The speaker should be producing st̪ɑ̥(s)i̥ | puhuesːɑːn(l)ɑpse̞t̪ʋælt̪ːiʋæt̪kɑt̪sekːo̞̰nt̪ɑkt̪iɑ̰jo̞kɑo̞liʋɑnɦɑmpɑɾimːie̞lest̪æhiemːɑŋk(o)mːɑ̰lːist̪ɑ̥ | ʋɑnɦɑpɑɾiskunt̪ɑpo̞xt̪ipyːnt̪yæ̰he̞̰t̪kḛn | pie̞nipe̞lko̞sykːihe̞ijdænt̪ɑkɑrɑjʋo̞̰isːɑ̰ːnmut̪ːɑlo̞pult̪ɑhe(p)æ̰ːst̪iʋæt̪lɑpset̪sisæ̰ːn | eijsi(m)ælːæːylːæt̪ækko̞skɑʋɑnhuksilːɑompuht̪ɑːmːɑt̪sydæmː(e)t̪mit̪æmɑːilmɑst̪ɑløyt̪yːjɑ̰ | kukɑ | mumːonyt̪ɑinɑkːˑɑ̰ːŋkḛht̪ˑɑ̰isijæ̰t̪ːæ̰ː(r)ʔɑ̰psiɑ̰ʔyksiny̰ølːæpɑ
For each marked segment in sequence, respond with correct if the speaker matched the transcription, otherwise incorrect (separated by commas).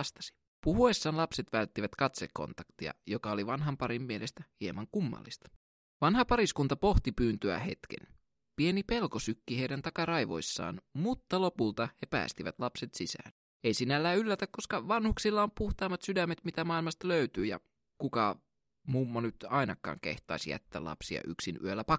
correct, correct, incorrect, correct, incorrect, correct, incorrect